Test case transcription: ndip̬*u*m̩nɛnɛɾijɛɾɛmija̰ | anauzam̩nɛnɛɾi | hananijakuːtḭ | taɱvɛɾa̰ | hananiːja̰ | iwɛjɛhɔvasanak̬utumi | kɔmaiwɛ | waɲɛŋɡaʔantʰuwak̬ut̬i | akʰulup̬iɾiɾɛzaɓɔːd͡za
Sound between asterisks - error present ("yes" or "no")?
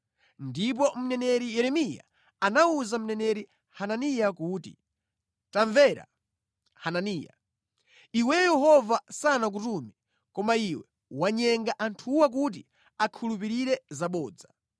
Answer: yes